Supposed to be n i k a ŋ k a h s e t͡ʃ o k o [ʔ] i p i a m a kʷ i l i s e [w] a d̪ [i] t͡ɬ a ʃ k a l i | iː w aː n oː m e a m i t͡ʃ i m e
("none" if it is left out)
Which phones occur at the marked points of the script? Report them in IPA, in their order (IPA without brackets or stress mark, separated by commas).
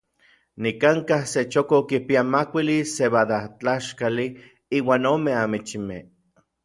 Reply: k, β, a